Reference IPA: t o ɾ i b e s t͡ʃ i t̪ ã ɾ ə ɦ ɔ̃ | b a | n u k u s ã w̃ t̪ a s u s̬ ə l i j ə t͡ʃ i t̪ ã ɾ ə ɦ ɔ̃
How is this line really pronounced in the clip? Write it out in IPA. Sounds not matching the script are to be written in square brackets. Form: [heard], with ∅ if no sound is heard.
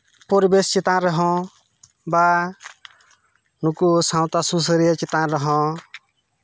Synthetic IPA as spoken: [p] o ɾ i b e s t͡ʃ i t̪ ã ɾ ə ɦ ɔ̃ | b a | n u k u s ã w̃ t̪ a s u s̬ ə [ɾ] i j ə t͡ʃ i t̪ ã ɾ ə ɦ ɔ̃